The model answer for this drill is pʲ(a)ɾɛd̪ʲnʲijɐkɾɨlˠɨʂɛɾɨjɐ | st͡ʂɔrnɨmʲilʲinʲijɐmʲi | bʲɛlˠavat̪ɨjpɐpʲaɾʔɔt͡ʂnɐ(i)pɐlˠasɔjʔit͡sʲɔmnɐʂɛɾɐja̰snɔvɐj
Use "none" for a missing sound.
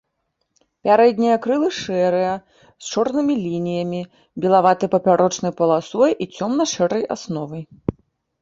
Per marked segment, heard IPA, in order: a, j

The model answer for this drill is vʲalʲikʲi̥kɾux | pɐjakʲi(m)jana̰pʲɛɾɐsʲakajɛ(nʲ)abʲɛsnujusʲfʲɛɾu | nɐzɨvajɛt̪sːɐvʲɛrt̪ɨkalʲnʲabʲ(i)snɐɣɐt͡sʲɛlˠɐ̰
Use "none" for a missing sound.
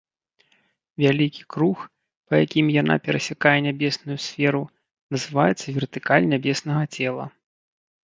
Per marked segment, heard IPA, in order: m, nʲ, ɛ

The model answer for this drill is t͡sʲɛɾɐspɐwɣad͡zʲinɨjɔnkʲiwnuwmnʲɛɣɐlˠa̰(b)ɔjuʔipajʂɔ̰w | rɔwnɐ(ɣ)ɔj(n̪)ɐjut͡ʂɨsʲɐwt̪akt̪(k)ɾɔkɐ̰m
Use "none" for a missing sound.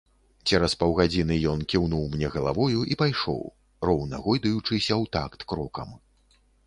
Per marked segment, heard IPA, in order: v, ɣ, d̪, k

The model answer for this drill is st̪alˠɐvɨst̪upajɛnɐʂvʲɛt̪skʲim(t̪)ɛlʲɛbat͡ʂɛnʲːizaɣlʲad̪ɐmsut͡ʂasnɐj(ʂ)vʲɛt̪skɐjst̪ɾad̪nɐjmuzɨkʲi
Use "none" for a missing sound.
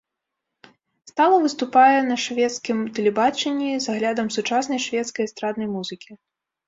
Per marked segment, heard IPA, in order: t̪, ʂ

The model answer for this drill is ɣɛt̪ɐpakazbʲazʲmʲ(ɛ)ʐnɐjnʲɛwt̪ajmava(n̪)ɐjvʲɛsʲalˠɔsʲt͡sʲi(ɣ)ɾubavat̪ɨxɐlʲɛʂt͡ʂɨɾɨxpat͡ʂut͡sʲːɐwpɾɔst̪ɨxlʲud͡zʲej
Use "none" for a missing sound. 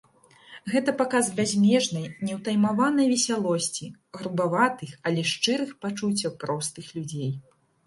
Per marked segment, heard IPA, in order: ɛ, n̪, ɣ

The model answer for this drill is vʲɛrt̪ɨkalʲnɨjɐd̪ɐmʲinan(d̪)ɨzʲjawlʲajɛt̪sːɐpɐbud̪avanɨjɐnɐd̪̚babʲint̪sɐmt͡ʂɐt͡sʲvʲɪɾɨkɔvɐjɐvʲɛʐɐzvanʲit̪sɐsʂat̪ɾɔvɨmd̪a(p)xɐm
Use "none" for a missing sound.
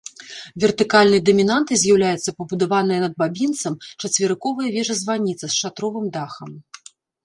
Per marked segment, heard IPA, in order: t̪, none

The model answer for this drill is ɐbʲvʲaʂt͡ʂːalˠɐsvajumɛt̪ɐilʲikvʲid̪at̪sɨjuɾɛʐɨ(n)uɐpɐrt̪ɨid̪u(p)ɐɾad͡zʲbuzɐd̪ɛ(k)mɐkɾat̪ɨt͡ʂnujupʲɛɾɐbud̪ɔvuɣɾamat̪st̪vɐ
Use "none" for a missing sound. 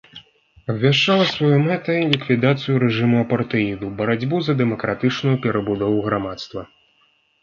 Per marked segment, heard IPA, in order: m, b, none

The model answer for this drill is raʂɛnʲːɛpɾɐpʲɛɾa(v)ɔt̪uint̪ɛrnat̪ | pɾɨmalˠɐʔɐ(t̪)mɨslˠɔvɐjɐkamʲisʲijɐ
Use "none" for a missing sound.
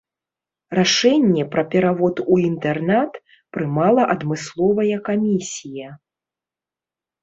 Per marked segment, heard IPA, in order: v, d̪

